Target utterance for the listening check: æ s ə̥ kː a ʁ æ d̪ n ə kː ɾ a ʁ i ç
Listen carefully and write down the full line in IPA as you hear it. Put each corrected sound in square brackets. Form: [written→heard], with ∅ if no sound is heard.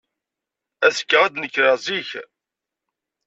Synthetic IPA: æ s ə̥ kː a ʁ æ d̪ n ə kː ɾ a [ʁ→z] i ç